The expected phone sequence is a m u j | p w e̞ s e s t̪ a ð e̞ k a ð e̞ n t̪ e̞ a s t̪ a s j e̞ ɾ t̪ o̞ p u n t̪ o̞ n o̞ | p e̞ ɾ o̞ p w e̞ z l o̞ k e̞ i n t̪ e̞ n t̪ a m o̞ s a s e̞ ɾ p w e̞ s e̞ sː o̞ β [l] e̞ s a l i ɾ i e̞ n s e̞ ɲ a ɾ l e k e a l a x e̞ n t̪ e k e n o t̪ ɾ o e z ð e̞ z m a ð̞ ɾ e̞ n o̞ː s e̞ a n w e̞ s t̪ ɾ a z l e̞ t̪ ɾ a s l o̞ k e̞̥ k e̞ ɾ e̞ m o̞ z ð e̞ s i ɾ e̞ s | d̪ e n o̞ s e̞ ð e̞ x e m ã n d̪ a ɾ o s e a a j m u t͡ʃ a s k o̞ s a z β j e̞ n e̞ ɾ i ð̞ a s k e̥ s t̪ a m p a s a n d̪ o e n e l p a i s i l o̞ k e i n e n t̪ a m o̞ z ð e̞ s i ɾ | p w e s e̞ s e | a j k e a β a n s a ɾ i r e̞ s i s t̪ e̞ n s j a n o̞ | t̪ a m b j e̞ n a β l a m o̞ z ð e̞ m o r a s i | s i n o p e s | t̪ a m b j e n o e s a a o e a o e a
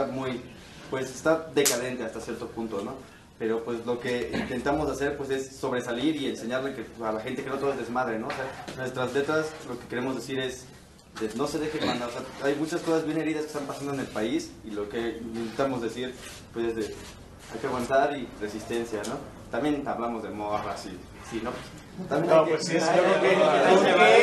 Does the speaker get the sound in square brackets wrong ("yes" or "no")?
yes